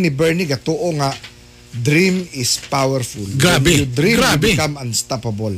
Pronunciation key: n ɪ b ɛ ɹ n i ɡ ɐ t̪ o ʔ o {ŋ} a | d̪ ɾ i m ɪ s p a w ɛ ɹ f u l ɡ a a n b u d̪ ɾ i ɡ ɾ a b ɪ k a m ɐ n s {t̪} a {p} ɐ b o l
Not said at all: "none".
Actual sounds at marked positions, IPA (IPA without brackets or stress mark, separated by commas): ŋ, t̪, p